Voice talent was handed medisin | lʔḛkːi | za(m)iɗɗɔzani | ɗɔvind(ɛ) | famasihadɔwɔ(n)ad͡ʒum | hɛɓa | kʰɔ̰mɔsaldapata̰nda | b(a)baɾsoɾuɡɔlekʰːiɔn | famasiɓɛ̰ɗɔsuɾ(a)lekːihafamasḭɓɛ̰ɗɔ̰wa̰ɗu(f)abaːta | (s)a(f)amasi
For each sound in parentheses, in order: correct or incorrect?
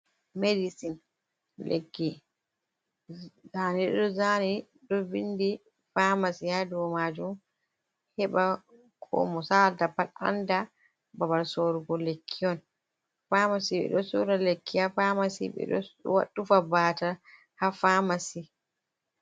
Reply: incorrect, incorrect, incorrect, correct, correct, correct, incorrect, correct

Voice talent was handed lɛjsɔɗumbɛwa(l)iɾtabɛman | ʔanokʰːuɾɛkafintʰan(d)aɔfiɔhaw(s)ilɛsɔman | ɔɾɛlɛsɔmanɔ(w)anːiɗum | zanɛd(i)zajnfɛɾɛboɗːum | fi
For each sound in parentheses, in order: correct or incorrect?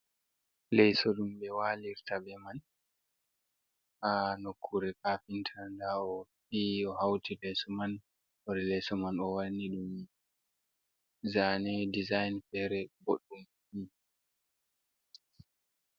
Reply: correct, correct, incorrect, correct, correct

